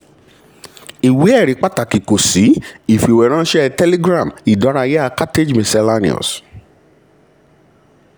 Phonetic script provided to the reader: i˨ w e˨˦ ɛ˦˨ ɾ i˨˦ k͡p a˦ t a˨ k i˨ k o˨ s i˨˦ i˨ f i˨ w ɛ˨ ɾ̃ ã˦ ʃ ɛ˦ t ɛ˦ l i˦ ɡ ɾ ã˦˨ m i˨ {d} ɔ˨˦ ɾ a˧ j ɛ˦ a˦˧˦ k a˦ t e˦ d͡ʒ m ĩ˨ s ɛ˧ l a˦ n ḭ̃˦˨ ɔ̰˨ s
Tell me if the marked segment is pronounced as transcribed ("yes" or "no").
yes